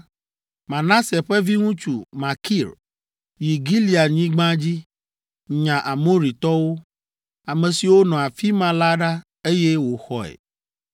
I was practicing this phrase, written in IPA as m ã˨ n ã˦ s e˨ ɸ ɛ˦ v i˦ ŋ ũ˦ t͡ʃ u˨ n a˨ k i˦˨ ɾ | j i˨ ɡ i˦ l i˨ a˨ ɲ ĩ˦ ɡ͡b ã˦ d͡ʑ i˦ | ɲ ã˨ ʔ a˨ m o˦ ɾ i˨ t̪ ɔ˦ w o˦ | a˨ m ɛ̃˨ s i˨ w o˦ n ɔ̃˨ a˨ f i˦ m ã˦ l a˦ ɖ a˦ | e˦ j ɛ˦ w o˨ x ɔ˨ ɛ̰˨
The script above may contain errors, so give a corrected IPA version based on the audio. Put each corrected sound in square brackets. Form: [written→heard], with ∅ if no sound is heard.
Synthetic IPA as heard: m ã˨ n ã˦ s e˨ ɸ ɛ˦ v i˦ ŋ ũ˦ t͡ʃ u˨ [n→m] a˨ k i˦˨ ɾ | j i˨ ɡ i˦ l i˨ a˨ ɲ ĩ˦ ɡ͡b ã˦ d͡ʑ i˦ | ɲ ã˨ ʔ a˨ m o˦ ɾ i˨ t̪ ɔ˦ w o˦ | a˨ m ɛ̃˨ s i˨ w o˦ n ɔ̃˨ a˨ f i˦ m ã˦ l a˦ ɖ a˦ | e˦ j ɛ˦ w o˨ x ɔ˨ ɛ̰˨

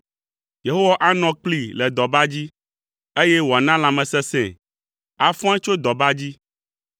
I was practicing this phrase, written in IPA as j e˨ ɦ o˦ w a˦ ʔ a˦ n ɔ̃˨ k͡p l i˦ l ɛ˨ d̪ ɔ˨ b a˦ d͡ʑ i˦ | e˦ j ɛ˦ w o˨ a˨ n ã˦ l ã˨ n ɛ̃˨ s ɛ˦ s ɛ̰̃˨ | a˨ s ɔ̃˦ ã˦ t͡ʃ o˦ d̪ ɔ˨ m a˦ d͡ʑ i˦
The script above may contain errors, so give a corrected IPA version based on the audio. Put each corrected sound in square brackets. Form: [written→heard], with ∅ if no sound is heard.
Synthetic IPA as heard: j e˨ ɦ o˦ w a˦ ʔ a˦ n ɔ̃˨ k͡p l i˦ l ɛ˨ d̪ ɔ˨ b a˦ d͡ʑ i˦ | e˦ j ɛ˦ w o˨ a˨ n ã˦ l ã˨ [n→m] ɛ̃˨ s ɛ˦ s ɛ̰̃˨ | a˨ [s→f] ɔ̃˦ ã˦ t͡ʃ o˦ d̪ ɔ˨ [m→b] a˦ d͡ʑ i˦

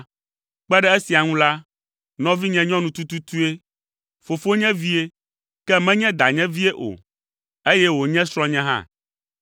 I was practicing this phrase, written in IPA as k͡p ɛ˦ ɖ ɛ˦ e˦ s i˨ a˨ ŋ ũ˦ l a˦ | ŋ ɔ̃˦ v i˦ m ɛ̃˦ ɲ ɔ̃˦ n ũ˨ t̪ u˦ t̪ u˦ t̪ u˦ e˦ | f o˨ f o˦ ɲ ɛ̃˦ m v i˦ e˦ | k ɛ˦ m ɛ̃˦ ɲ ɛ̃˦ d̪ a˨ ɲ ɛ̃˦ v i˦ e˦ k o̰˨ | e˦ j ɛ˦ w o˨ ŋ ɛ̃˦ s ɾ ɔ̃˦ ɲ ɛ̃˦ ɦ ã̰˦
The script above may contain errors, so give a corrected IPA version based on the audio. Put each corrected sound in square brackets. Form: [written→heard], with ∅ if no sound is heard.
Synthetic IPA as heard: k͡p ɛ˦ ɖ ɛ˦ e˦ s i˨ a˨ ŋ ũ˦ l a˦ | [ŋ→n] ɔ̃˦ v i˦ [m→ɲ] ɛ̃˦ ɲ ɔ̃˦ n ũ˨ t̪ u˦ t̪ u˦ t̪ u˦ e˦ | f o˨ f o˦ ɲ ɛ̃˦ [m→∅] v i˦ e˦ | k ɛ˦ m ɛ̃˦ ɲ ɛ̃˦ d̪ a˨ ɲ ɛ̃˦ v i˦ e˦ [k→ʔ] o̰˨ | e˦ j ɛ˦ w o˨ [ŋ→ɲ] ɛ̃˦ s ɾ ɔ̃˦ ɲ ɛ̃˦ ɦ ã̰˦

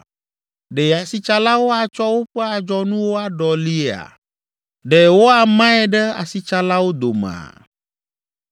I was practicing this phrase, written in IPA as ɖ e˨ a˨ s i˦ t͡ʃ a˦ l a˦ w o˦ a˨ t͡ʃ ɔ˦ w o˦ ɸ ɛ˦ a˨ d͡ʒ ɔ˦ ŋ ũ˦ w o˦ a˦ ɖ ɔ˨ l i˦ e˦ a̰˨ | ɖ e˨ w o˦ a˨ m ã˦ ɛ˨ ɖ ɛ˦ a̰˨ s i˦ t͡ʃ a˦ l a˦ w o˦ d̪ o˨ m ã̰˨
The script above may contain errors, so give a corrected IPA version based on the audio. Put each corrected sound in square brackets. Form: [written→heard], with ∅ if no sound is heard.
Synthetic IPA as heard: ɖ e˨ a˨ s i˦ t͡ʃ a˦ l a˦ w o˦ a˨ t͡ʃ ɔ˦ w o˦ ɸ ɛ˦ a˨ d͡ʒ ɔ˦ [ŋ→n] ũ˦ w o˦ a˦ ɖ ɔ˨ l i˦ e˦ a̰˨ | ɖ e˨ w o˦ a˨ m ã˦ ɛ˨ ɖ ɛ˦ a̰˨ s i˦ t͡ʃ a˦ l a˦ w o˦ d̪ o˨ m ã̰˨

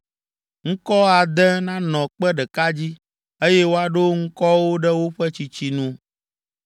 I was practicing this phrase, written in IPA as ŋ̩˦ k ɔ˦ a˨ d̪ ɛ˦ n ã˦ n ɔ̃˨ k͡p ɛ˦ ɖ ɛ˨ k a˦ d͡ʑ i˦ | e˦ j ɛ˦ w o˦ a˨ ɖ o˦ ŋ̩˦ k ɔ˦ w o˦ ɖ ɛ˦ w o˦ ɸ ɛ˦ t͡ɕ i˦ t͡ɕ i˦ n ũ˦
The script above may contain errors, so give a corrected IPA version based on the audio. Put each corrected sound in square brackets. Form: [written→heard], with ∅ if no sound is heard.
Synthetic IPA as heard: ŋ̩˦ k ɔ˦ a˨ d̪ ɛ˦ n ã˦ n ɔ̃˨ k͡p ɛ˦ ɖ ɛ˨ k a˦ d͡ʑ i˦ | e˦ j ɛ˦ w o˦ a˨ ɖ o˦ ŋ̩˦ k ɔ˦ w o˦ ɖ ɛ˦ w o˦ ɸ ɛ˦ t͡ɕ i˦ t͡ɕ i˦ n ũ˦

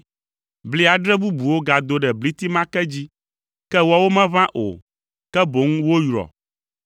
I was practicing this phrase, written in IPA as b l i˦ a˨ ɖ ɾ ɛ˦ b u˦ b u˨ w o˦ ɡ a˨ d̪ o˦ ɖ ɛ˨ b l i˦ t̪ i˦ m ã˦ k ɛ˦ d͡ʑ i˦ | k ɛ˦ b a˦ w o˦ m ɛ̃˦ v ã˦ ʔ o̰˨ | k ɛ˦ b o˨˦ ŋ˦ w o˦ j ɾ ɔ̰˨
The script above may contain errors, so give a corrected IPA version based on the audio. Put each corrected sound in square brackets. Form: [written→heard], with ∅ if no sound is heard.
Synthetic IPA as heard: b l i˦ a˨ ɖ ɾ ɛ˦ b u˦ b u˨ w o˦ ɡ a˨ d̪ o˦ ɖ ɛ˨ b l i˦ t̪ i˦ m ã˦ k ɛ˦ d͡ʑ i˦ | k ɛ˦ [b→w] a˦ w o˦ m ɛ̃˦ v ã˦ ʔ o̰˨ | k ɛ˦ b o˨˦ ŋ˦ w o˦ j ɾ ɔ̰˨

